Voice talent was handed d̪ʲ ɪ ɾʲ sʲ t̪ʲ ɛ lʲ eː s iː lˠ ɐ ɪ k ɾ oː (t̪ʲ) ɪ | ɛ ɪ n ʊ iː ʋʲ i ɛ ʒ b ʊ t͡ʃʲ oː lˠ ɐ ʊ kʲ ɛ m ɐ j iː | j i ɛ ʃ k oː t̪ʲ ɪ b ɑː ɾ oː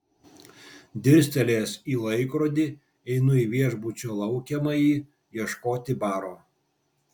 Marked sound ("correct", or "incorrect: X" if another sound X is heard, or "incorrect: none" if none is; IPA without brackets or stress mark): incorrect: d̪ʲ